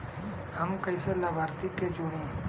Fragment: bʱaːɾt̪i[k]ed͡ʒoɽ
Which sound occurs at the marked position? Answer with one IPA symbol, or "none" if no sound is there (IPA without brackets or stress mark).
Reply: k